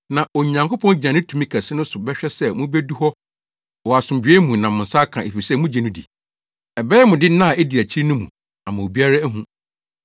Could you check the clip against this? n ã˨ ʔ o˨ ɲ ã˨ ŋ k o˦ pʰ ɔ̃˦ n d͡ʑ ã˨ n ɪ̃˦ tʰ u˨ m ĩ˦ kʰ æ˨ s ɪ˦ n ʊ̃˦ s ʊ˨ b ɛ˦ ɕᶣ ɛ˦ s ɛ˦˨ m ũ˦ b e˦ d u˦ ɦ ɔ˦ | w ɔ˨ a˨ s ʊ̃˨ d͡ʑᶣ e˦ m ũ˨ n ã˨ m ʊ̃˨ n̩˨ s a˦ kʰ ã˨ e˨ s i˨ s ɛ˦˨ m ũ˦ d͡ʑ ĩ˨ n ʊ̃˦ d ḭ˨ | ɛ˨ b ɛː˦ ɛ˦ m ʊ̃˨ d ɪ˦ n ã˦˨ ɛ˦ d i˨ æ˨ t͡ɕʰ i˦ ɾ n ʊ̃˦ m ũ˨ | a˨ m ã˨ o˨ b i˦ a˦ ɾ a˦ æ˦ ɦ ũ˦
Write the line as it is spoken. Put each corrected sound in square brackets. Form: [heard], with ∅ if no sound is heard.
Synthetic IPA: n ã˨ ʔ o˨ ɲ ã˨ ŋ k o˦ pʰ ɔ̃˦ n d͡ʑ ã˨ n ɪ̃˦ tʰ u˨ m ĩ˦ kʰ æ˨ s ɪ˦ n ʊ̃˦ s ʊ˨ b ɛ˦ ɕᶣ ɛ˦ s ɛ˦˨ m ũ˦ b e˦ d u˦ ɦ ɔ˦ | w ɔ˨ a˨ s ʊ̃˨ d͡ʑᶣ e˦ m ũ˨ n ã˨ m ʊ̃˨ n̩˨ s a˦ kʰ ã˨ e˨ [f] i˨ s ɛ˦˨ m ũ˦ d͡ʑ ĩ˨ n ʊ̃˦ d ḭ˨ | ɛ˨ b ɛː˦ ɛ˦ m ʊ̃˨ d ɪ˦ n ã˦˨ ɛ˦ d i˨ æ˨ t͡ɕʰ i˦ ɾ n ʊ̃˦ m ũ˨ | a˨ m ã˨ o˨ b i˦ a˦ ɾ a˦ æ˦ ɦ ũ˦